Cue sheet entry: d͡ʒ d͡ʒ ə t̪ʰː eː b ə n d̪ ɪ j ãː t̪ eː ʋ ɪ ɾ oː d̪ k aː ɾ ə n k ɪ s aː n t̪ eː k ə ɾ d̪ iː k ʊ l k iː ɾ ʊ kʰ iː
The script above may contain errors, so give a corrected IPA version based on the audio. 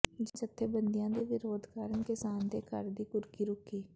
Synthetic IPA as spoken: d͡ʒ d͡ʒ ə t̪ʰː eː b ə n d̪ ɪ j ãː d̪ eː ʋ ɪ ɾ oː d̪ k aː ɾ ə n k ɪ s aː n d̪ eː k ə ɾ d̪ iː k ʊ ɾ k iː ɾ ʊ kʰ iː